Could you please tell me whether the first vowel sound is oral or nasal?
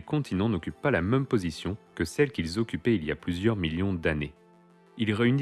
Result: nasal